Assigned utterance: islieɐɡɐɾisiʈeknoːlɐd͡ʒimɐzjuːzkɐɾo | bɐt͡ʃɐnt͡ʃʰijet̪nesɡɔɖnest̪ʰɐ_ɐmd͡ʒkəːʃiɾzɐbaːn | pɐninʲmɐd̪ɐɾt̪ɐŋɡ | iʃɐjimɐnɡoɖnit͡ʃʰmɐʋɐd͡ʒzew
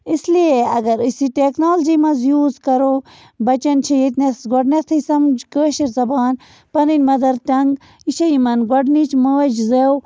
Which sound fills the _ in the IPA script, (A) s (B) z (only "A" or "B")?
A